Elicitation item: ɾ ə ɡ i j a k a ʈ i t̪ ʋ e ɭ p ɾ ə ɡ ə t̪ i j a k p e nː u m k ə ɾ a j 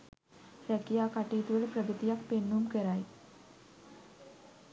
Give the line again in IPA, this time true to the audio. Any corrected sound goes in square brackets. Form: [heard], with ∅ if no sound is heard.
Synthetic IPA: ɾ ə [k] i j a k a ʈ i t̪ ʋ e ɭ p ɾ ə ɡ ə t̪ i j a k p e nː u m k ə ɾ a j